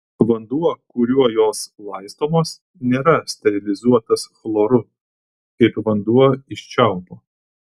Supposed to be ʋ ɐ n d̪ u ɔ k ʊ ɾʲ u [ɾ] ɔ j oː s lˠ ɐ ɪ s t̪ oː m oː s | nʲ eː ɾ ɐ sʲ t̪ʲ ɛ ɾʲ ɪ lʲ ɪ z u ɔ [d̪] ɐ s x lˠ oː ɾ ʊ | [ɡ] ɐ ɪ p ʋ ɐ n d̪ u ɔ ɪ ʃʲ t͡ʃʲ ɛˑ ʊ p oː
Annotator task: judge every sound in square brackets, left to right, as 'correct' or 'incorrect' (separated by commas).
incorrect, incorrect, incorrect